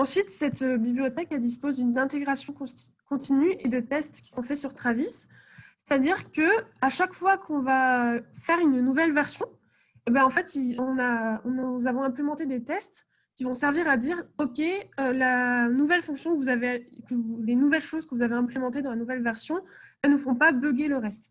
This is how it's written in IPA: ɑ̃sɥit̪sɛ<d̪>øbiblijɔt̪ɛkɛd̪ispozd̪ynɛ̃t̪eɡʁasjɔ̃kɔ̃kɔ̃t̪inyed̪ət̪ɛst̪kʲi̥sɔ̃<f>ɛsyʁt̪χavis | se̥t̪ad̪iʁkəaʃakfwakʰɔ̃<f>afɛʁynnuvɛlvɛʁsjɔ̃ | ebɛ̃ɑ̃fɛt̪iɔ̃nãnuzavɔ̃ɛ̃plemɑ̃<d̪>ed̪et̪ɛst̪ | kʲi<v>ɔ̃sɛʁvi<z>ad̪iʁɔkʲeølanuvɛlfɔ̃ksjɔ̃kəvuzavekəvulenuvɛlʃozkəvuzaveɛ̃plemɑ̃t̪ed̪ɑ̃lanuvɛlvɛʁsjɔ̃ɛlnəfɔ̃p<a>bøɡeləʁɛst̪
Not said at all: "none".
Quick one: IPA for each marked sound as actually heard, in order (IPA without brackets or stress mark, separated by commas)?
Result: t̪, f, v, t̪, v, ʁ, a